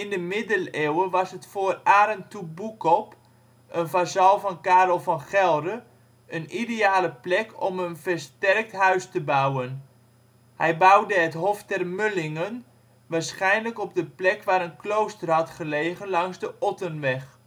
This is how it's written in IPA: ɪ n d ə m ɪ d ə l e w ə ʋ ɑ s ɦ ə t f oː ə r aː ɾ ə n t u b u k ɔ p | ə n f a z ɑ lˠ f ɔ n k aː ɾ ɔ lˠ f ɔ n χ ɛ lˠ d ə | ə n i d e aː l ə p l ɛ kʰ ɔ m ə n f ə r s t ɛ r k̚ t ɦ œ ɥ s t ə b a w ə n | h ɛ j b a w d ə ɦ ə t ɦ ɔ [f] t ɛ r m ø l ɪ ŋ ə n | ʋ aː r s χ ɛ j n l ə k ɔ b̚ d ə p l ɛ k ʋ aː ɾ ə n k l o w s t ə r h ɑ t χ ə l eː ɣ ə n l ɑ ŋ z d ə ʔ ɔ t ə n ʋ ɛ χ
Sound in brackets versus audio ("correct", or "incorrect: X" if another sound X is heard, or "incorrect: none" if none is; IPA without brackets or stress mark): correct